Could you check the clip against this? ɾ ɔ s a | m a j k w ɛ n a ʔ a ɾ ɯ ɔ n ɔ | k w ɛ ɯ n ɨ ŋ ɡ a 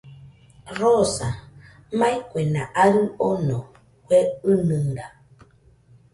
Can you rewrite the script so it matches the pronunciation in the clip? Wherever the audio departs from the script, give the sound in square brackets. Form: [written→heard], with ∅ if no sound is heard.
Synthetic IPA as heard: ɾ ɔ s a | m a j k w ɛ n a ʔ a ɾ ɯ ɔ n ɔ | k w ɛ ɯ n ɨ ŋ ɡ a